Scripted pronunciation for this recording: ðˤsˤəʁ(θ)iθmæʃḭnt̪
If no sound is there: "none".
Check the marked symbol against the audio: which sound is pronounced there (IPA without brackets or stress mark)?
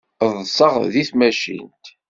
ð